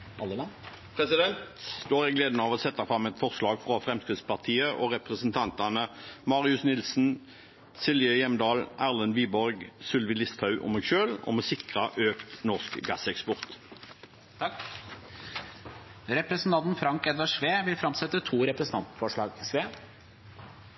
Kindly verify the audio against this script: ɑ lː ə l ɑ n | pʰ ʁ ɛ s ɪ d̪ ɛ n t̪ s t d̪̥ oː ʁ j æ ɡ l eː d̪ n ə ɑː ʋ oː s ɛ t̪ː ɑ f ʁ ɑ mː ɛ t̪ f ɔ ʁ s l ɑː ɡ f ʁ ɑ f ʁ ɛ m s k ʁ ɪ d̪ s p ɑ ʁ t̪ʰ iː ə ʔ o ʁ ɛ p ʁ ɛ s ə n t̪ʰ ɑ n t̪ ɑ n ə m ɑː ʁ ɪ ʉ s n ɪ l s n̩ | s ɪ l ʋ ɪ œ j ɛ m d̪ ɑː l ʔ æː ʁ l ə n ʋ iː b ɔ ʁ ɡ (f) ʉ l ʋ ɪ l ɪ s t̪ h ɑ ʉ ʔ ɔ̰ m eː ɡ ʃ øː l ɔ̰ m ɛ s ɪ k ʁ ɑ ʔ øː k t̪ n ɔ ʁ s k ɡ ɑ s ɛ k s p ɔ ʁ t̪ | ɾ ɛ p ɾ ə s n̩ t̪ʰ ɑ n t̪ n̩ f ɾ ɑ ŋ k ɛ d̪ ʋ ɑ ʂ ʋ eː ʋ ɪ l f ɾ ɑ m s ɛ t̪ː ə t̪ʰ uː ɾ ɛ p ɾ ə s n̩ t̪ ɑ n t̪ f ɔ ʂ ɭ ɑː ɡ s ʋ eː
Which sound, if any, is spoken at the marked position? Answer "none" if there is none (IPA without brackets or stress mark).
s